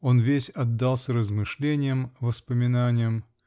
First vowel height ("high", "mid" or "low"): mid